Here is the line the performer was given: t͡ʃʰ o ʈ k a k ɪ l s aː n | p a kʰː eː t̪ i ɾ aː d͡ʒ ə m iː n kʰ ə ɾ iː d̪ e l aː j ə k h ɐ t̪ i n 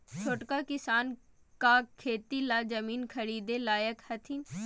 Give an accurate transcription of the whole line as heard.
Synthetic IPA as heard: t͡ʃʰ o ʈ k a k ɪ s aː n | k a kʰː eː t̪ i l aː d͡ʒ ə m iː n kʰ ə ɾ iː d̪ e l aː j ə k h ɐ t̪ʰ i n